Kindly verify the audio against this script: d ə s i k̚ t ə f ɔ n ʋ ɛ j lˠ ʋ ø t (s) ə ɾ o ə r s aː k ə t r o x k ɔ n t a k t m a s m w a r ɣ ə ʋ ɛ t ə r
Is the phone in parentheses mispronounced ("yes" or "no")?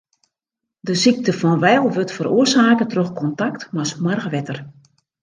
yes